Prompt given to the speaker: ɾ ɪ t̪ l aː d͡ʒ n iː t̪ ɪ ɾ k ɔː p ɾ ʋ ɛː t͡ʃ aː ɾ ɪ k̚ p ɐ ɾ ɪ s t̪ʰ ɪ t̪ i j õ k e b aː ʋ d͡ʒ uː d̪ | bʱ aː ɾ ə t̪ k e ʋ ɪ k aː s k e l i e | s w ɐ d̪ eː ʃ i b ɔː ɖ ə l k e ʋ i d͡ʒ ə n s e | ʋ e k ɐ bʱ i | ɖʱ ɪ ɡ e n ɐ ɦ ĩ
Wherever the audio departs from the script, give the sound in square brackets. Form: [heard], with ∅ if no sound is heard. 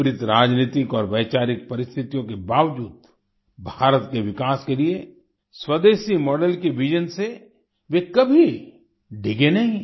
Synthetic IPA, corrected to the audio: ɾ ɪ t̪ [ɾ] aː d͡ʒ n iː t̪ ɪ [∅] k ɔː [∅] ɾ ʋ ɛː t͡ʃ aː ɾ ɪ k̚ p ɐ ɾ ɪ s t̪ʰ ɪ t̪ i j õ k e b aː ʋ d͡ʒ uː d̪ | bʱ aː ɾ ə t̪ k e ʋ ɪ k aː s k e l i e | s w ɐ d̪ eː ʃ i [m] ɔː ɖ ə l k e ʋ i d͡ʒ ə n s e | ʋ e k ɐ bʱ i | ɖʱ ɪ ɡ e n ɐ ɦ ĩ